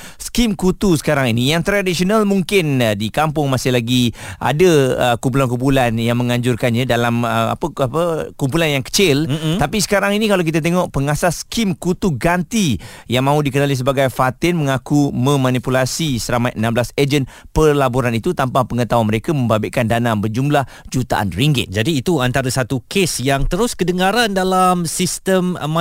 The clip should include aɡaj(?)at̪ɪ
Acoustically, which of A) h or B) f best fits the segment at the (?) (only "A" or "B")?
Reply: B